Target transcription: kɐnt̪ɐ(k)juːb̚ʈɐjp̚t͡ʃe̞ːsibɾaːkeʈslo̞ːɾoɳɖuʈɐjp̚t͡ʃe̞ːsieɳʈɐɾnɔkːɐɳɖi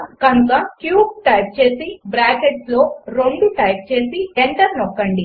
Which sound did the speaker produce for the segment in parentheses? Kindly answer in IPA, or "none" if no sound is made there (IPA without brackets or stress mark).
k